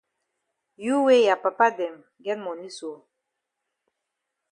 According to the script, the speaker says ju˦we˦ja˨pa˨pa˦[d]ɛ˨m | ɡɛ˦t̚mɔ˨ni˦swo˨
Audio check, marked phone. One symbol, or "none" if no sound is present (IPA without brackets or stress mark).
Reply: d